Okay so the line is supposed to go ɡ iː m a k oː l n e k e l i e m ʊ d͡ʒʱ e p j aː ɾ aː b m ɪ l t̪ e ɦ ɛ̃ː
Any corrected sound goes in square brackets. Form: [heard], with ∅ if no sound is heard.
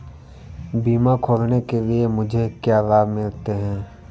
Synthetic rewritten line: [b] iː m a [kʰ] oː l n e k e l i e m ʊ d͡ʒʱ e [k] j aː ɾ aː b m ɪ l t̪ e ɦ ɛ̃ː